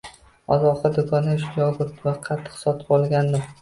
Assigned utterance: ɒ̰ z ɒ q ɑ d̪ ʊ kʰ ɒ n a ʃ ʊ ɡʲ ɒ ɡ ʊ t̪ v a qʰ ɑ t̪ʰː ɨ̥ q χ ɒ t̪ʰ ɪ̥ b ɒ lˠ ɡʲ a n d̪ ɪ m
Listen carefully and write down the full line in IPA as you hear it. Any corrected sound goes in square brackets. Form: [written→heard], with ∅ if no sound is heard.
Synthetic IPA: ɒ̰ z ɒ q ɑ d̪ ʊ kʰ ɒ n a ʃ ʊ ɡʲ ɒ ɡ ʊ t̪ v a qʰ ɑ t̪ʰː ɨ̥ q [χ→s] ɒ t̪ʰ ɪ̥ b ɒ lˠ ɡʲ a n d̪ ɪ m